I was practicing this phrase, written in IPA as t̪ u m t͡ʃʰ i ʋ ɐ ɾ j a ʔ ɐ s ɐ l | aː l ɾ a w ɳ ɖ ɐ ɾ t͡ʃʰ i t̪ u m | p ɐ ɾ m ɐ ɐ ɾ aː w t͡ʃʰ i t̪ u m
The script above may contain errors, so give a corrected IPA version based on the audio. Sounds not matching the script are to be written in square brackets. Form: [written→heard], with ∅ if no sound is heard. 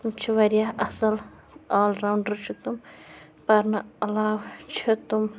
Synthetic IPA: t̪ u m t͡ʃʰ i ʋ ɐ ɾ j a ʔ ɐ s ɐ l | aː l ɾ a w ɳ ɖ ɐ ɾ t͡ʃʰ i t̪ u m | p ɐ ɾ [m→n] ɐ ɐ [ɾ→l] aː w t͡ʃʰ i t̪ u m

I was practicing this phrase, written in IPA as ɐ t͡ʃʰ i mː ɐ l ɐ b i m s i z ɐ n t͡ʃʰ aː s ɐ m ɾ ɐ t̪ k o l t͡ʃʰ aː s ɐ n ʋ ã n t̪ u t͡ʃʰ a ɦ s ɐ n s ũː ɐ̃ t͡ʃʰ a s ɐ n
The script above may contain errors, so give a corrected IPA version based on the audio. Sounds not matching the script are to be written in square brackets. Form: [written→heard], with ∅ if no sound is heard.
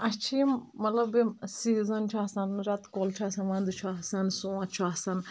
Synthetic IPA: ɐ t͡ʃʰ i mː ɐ l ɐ b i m s i z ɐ n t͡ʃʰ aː s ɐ [m→n] ɾ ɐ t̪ k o l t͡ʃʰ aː s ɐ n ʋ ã n [t̪→d̪] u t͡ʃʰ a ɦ s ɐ n s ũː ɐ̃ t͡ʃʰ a s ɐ n

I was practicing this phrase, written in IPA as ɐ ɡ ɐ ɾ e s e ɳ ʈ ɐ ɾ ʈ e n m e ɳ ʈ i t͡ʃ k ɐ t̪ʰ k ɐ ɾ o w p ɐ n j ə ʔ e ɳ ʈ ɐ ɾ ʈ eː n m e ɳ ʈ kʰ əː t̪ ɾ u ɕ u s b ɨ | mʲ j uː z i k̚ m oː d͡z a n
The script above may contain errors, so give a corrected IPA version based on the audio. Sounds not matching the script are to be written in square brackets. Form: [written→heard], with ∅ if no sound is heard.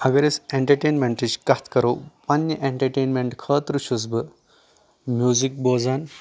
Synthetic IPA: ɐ ɡ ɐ ɾ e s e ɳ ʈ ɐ ɾ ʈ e n m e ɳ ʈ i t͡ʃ k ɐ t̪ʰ k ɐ ɾ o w p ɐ n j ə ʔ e ɳ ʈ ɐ ɾ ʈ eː n m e ɳ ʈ kʰ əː t̪ ɾ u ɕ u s b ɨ | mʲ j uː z i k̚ [m→b] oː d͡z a n

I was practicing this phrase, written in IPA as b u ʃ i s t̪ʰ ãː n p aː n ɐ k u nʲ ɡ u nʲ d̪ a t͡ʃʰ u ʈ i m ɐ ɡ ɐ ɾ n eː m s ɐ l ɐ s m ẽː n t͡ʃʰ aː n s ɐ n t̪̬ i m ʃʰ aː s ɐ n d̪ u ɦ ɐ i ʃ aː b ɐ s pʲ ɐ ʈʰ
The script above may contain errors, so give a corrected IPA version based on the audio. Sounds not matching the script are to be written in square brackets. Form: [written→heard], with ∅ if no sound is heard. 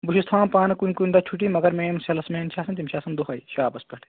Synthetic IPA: b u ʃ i s t̪ʰ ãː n p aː n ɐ k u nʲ [ɡ→k] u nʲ d̪ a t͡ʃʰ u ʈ i m ɐ ɡ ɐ ɾ [n→m] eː m s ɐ l ɐ s m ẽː n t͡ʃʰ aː [n→∅] s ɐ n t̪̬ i m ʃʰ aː s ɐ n d̪ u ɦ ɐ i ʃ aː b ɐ s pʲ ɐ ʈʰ

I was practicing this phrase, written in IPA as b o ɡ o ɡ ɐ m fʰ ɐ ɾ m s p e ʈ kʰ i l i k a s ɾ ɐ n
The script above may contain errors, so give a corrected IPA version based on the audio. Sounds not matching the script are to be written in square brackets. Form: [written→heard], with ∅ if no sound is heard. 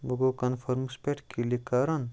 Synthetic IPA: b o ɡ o [ɡ→k] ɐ [m→n] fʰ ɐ ɾ m s p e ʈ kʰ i l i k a [s→∅] ɾ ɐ n

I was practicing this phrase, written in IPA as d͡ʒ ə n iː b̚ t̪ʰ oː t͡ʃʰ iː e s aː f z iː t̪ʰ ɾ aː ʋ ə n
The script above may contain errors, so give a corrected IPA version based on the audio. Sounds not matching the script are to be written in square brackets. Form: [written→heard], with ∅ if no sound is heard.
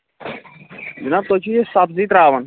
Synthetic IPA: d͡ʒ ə n [iː→aː] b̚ [t̪ʰ→t̪] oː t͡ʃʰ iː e s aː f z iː [t̪ʰ→t̪] ɾ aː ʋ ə n

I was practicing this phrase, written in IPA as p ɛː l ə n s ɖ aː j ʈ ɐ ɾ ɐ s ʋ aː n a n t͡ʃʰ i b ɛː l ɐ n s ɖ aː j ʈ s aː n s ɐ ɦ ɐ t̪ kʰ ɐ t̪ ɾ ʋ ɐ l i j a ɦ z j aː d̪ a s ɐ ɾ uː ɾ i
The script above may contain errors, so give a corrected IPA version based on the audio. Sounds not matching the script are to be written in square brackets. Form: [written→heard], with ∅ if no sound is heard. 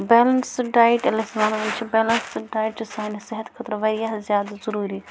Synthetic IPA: [p→b] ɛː l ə n s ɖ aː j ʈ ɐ [ɾ→l] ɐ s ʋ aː n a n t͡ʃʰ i b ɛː l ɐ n s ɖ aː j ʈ s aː n s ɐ ɦ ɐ t̪ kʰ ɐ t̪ ɾ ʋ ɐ [l→ɾ] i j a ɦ z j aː d̪ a [s→z] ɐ ɾ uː ɾ i

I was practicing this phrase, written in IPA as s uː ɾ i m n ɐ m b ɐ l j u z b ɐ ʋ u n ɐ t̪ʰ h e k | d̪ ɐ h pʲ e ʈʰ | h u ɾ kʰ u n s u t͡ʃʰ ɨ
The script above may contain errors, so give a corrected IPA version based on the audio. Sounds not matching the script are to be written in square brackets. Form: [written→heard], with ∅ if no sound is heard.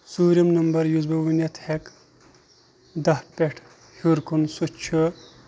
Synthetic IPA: s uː ɾ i m n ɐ m b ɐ [l→ɾ] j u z b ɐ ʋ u n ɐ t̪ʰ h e k | d̪ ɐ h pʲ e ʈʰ | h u ɾ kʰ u n s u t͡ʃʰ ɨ

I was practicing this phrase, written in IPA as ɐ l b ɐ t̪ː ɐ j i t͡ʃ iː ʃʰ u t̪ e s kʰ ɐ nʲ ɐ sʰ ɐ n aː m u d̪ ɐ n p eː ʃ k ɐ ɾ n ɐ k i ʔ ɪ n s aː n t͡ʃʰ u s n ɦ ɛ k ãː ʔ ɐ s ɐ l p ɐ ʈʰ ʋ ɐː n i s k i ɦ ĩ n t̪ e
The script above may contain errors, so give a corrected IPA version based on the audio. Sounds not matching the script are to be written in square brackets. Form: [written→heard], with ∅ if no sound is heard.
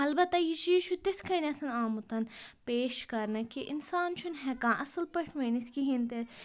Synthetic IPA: ɐ l b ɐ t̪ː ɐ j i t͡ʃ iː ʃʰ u t̪ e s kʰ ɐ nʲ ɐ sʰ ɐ n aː m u [d̪→t̪] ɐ n p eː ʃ k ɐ ɾ n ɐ k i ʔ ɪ n s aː n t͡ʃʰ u [s→∅] n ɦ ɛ k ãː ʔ ɐ s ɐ l p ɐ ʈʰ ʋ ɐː n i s k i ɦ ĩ n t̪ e

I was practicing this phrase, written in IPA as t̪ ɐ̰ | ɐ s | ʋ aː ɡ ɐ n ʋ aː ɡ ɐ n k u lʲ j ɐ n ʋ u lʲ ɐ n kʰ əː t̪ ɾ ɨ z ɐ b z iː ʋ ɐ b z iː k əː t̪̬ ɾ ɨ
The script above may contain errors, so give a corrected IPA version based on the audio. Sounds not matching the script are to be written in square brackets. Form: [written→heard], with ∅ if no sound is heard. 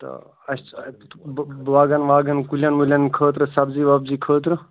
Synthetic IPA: t̪ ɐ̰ | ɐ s | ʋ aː ɡ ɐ n ʋ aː ɡ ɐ n k u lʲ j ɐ n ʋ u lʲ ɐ n kʰ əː t̪ ɾ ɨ [z→s] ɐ b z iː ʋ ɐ b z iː [k→kʰ] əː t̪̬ ɾ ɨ

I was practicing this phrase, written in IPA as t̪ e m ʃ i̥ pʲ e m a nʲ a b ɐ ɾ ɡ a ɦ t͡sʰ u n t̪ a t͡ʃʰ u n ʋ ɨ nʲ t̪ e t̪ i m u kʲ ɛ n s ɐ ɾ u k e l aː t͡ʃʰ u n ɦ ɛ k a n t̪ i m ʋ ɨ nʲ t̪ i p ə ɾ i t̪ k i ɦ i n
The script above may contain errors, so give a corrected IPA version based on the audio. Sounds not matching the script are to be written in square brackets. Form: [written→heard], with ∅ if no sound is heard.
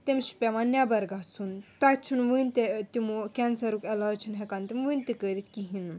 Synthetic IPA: t̪ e m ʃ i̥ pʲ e m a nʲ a b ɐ ɾ ɡ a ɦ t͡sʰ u n t̪ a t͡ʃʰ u n ʋ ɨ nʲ t̪ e t̪ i m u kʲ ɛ n s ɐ ɾ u k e l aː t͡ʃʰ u n ɦ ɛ k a n t̪ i m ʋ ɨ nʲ t̪ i [p→k] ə ɾ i t̪ k i ɦ i n

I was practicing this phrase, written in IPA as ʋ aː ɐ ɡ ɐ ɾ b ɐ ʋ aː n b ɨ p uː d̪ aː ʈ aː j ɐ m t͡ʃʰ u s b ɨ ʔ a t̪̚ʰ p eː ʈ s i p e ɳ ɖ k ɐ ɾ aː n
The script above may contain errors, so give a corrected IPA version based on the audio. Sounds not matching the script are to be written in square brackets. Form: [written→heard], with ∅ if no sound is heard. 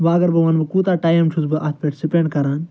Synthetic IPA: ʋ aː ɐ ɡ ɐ ɾ b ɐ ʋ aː n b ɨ [p→k] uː [d̪→t̪] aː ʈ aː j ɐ m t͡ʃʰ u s b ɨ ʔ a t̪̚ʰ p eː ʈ s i p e ɳ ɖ k ɐ ɾ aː n

